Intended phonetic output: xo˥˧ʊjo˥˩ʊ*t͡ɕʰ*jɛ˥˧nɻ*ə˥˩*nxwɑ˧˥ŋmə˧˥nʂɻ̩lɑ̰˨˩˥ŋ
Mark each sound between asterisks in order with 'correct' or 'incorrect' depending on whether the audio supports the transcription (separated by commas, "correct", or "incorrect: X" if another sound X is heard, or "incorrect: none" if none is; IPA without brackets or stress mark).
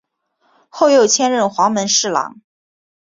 correct, correct